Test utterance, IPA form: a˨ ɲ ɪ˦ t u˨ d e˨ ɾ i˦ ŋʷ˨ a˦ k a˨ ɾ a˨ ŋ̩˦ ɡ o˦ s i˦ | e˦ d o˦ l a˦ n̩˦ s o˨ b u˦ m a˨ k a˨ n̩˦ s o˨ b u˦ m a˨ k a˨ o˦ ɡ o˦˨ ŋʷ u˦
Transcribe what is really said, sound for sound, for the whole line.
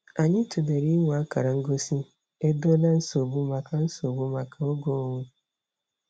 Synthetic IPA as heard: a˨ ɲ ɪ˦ t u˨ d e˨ ɾ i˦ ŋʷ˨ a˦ k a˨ ɾ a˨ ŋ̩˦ ɡ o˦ s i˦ | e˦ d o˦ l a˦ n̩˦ s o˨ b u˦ m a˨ k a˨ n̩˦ s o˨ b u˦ m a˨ k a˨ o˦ ɡ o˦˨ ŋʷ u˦